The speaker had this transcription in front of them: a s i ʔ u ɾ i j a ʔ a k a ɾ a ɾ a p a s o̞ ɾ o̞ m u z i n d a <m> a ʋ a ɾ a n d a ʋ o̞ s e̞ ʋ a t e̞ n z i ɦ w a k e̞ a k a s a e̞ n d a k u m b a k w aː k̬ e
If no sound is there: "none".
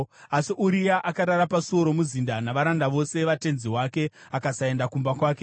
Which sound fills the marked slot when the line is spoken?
n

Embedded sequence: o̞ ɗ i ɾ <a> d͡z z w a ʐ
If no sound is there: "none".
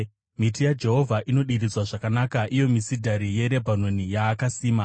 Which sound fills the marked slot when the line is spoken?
i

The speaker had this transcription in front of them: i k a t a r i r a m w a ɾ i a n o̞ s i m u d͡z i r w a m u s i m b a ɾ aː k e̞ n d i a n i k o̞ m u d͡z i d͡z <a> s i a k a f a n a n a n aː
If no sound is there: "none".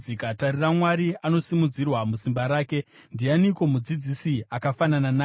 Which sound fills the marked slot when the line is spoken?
i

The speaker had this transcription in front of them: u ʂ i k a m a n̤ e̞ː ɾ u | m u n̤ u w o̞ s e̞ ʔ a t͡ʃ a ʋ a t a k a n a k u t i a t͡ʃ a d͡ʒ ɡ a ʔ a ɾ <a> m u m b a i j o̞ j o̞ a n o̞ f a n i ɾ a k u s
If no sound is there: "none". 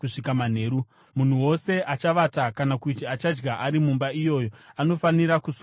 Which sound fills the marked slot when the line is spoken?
i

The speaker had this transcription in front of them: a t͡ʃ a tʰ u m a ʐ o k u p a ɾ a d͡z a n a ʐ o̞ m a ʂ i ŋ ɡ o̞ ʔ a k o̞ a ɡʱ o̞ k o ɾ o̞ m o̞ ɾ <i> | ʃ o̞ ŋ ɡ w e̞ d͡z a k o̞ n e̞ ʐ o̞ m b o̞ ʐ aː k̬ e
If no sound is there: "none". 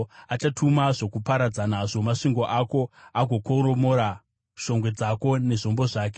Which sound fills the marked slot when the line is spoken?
a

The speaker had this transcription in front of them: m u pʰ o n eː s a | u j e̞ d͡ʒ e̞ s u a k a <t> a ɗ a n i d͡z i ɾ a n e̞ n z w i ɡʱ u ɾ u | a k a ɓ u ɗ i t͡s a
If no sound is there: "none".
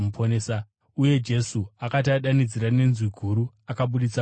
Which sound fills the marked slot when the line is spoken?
t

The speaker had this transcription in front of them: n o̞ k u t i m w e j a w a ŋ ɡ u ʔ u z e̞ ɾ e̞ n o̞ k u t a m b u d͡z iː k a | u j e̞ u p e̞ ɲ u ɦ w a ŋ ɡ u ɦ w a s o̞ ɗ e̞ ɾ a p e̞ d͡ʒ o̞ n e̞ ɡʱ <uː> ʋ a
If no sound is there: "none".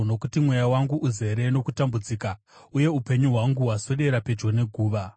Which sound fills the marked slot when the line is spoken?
uː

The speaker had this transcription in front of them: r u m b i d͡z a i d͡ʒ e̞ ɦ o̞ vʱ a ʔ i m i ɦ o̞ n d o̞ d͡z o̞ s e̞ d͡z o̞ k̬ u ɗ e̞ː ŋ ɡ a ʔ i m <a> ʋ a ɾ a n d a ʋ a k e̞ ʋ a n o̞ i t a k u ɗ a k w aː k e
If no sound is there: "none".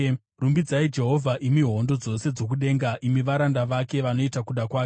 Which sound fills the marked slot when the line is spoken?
i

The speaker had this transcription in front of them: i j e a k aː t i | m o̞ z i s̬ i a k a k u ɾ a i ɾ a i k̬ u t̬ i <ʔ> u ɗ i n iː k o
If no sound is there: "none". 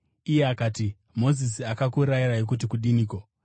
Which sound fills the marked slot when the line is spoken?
k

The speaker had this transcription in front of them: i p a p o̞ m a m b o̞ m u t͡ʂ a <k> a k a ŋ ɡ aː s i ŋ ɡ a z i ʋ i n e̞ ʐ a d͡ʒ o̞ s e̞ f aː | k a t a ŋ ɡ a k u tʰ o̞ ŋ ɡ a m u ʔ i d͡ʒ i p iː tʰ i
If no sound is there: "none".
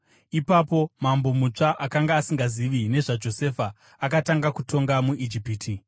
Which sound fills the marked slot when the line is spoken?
ʔ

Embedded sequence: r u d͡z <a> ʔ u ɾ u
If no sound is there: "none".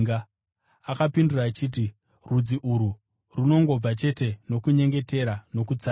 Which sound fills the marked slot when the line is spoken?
i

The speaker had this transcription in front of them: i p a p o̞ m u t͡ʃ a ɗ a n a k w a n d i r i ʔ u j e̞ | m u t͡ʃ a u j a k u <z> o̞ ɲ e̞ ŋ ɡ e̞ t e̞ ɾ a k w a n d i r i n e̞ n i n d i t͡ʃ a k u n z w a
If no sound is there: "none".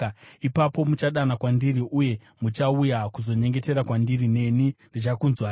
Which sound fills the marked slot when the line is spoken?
z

